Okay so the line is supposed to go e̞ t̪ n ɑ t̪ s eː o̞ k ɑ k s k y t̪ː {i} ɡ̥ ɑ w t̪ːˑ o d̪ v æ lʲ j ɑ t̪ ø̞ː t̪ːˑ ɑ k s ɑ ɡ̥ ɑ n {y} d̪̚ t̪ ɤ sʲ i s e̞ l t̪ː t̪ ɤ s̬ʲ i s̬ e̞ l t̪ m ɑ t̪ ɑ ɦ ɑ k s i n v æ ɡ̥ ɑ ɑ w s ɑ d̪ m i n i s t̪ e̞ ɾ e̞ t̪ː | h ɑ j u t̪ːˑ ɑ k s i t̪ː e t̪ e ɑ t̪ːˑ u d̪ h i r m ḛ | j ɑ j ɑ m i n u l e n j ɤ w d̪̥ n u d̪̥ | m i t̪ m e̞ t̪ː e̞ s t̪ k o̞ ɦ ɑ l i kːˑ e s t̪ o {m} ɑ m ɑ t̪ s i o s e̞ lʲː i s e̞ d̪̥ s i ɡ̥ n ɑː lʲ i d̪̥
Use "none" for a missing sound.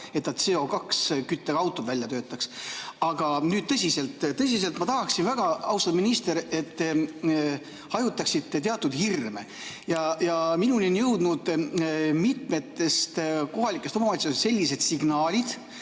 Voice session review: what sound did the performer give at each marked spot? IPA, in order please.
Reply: e, yː, m

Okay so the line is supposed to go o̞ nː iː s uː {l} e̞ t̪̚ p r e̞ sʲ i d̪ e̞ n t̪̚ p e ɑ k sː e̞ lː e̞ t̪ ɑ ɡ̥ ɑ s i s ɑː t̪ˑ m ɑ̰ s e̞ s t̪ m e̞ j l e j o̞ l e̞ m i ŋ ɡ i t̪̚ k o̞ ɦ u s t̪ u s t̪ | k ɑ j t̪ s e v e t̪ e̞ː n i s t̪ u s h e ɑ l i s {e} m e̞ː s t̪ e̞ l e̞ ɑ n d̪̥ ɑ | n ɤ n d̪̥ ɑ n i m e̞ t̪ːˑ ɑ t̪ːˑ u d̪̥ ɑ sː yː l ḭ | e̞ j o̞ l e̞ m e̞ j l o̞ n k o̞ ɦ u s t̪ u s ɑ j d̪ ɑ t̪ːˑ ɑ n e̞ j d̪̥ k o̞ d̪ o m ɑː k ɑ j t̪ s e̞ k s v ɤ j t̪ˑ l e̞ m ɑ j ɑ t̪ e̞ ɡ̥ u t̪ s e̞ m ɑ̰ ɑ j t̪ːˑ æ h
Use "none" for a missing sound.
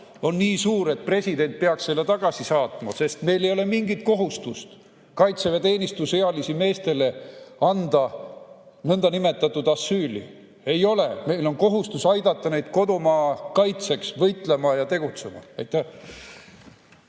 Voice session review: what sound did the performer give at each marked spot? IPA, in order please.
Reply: ɾ, i

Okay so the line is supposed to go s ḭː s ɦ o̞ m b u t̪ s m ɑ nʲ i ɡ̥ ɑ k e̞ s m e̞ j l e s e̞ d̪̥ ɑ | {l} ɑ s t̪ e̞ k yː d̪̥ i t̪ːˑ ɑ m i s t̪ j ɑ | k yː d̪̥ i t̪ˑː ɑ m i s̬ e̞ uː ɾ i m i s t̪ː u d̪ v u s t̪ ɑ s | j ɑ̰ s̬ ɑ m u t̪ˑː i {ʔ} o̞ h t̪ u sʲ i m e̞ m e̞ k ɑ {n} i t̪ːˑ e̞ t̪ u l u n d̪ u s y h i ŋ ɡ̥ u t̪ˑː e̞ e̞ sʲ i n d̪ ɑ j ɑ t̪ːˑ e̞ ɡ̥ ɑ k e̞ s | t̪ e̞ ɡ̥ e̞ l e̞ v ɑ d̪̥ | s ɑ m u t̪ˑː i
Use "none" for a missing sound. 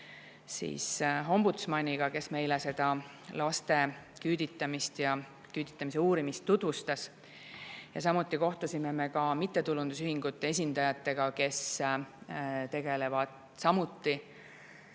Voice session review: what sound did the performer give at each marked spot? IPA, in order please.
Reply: l, k, m

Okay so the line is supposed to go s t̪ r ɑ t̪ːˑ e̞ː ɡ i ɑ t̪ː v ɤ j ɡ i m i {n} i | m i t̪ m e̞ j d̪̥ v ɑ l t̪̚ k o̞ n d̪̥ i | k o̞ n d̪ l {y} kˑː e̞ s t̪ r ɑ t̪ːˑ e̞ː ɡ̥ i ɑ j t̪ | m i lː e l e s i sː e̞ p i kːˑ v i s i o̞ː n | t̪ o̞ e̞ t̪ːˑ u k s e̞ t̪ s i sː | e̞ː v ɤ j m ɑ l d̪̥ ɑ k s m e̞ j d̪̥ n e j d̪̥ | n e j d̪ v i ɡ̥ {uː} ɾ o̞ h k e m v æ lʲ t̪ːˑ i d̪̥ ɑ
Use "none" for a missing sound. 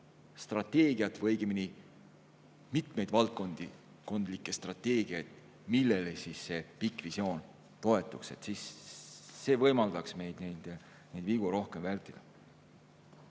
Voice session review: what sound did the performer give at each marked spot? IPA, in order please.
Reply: n, i, u

